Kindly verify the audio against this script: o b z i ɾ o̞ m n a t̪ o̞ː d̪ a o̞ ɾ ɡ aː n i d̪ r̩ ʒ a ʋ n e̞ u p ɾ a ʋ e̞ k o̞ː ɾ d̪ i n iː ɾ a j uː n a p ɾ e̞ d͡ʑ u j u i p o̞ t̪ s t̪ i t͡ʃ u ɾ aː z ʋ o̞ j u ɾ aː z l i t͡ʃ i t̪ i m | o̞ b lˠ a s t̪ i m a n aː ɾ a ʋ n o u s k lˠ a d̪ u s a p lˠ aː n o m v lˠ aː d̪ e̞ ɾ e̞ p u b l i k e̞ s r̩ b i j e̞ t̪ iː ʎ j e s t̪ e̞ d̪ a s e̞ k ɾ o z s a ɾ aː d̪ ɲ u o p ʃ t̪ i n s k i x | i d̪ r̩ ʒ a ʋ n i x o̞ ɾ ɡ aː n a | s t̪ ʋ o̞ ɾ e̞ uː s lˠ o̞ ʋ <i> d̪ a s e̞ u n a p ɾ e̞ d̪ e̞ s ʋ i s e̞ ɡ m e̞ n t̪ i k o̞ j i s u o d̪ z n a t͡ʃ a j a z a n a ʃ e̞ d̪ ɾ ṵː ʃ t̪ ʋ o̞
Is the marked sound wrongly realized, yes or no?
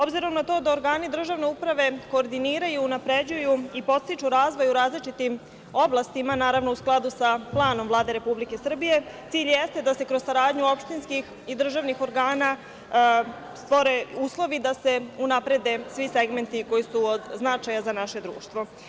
no